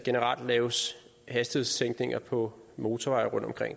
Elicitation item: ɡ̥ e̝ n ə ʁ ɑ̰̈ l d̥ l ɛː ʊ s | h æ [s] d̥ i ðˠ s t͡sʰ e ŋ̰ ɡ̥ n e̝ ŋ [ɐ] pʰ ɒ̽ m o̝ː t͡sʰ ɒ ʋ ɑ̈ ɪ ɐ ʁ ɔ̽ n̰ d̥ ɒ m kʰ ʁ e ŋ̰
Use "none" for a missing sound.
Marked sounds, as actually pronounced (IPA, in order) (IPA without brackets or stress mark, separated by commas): s, ɐ